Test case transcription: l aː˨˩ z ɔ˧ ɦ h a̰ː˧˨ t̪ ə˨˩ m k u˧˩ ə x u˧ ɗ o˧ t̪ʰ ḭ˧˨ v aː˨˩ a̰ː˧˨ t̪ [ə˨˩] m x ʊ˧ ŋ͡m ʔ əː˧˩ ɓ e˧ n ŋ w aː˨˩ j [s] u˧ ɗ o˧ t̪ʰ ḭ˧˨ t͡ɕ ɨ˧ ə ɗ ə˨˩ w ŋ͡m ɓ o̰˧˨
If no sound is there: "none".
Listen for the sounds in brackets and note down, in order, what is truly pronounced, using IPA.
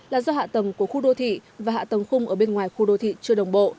ə˨˩, x

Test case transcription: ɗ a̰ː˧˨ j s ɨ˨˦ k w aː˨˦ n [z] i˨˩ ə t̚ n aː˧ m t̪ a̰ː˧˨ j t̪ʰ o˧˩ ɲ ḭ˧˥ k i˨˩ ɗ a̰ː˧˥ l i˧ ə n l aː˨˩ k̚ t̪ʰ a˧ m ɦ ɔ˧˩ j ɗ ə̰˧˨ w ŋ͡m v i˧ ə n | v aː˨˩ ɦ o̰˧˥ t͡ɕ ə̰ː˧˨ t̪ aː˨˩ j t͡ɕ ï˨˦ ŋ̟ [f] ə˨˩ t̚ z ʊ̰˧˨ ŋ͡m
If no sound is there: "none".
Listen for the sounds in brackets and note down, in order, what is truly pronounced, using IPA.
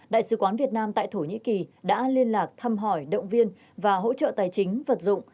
v, v

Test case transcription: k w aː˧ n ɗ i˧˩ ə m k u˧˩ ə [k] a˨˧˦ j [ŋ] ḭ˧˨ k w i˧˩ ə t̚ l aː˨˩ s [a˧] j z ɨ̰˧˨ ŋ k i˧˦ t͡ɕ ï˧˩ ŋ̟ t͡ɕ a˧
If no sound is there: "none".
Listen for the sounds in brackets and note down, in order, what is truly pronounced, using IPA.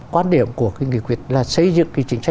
k, ŋ, ə˧

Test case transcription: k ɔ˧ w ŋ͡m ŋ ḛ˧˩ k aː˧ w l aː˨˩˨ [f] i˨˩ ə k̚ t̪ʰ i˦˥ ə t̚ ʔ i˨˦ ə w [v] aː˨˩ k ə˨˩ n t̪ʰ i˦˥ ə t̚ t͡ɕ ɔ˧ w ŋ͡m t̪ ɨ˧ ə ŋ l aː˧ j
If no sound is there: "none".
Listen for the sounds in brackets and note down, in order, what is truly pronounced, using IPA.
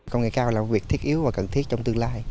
v, v

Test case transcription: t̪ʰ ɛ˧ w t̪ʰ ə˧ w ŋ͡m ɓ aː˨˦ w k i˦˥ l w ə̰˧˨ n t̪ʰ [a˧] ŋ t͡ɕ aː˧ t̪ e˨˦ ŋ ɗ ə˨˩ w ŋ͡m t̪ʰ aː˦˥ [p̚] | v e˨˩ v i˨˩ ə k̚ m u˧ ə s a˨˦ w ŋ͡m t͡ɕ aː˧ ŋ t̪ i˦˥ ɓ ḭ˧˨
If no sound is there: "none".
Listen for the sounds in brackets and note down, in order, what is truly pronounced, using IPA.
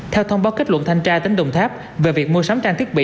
a˧, p̚

